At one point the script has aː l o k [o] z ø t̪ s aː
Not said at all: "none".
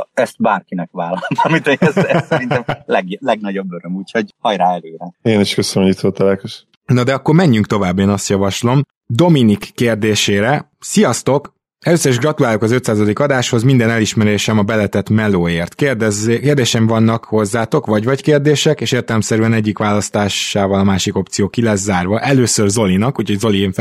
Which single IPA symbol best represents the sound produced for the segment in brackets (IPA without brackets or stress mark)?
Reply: ɒ